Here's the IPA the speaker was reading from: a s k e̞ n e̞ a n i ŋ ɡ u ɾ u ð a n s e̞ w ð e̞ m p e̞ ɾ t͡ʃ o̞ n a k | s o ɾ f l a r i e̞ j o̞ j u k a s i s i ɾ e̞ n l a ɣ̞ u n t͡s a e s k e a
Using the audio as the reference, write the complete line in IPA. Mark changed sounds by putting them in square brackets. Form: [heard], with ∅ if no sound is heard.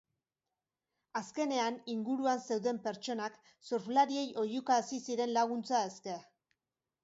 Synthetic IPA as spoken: a s k e̞ n e̞ a n i ŋ ɡ u ɾ u [∅] a n s e̞ w ð e̞ m p e̞ ɾ t͡ʃ o̞ n a k | s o ɾ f l a [ɾ] i e̞ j o̞ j u k a s i s i ɾ e̞ n l a ɣ̞ u n t͡s a e s k e a